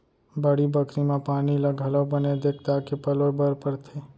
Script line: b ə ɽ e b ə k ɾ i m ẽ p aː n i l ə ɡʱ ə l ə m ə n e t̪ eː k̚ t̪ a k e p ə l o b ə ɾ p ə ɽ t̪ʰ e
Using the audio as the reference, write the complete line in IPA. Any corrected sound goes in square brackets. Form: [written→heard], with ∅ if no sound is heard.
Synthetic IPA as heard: b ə ɽ [e→i] b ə k ɾ i m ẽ p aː n i l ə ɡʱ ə l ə [m→b] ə n e [t̪→d̪] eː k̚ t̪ a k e p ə l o b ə ɾ p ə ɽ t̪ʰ e